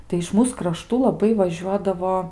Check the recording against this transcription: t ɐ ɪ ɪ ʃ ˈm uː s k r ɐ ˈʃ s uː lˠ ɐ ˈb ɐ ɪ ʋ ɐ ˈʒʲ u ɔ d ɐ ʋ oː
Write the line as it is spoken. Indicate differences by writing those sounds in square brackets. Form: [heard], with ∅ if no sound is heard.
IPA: t ɐ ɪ ɪ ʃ ˈm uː s k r ɐ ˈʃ [t] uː lˠ ɐ ˈb ɐ ɪ ʋ ɐ ˈʒʲ u ɔ d ɐ ʋ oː